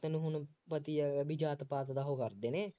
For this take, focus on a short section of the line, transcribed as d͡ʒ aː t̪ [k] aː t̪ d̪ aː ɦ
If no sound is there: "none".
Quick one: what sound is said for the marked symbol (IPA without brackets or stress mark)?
p